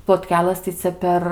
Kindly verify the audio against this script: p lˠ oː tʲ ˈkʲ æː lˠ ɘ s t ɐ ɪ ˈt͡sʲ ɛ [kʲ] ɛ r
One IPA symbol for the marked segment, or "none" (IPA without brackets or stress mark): pʲ